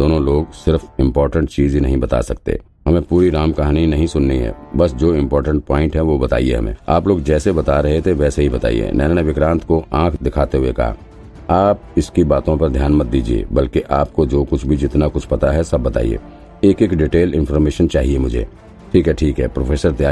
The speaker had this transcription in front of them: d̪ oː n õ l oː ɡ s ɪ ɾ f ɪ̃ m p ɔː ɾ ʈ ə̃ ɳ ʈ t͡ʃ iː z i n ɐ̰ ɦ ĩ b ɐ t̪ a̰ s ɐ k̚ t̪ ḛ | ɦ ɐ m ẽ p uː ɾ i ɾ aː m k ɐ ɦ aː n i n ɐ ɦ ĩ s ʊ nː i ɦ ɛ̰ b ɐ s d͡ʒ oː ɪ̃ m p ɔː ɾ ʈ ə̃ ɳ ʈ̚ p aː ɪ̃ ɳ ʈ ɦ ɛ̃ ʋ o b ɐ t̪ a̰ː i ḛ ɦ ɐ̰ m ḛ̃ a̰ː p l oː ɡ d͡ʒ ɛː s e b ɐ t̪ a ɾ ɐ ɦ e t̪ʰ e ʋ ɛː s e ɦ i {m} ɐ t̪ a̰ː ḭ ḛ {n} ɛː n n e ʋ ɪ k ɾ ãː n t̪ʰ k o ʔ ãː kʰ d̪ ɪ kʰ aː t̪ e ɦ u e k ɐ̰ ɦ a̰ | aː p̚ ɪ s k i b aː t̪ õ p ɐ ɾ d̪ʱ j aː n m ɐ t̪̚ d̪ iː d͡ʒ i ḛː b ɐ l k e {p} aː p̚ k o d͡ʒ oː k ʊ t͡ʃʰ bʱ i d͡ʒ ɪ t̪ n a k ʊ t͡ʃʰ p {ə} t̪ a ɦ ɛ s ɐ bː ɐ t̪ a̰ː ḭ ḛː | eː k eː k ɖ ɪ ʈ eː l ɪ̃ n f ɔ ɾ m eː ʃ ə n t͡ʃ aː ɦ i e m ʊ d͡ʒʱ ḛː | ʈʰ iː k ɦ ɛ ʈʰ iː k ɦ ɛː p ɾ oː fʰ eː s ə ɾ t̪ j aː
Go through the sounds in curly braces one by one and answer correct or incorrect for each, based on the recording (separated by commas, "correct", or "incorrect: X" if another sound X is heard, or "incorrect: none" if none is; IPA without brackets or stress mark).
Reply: incorrect: b, correct, incorrect: ʔ, incorrect: ɐ